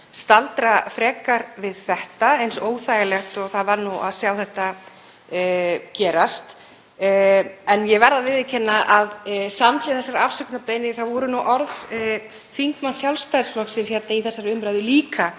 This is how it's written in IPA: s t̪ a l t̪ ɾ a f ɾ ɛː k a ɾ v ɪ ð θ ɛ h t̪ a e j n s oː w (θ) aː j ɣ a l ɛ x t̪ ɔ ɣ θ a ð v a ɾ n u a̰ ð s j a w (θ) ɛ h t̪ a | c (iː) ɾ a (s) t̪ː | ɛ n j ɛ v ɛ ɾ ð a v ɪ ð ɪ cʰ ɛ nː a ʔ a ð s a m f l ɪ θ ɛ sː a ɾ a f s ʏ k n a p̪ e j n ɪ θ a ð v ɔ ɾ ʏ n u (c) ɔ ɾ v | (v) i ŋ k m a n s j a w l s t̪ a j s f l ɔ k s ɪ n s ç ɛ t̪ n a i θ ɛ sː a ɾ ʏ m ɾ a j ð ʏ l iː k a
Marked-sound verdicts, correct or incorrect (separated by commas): correct, correct, incorrect, correct, incorrect, incorrect